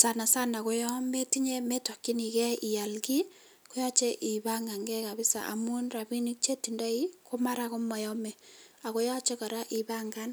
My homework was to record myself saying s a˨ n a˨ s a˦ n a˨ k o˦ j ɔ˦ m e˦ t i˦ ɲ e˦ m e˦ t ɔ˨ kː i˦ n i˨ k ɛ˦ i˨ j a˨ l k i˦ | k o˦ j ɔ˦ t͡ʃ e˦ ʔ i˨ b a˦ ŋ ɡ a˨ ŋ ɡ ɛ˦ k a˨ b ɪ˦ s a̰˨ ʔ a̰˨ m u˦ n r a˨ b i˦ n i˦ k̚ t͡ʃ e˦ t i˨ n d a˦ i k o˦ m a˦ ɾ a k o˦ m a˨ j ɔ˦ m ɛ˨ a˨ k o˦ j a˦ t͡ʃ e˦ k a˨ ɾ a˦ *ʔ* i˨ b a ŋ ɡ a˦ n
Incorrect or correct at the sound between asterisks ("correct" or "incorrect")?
correct